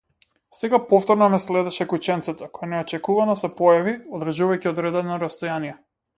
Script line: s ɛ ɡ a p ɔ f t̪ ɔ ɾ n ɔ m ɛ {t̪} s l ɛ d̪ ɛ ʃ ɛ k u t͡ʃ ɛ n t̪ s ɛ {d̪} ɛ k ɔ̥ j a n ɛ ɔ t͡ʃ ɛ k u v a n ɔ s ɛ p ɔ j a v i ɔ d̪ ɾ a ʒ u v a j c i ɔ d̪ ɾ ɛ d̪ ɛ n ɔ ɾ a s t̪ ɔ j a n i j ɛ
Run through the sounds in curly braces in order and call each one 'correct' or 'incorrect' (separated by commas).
incorrect, incorrect